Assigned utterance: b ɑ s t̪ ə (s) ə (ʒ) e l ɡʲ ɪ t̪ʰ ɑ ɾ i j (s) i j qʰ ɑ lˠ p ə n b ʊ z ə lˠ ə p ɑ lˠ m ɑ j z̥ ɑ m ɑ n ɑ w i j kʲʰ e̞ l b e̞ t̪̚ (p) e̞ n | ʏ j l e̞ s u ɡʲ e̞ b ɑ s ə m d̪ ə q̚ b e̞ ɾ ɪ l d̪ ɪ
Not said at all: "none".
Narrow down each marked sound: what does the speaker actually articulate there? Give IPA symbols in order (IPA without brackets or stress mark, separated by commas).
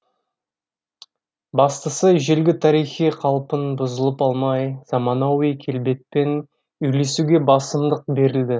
s, ʒ, χ, p